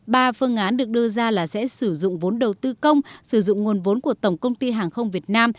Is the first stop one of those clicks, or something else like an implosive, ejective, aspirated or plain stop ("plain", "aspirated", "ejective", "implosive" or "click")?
implosive